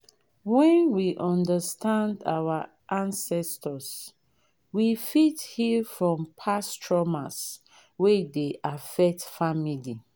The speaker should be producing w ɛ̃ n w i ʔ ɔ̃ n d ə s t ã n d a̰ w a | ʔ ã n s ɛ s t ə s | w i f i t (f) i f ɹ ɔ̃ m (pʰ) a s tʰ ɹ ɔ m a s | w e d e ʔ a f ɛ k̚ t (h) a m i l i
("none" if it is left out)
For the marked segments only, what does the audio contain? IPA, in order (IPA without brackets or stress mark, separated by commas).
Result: h, pʰ, f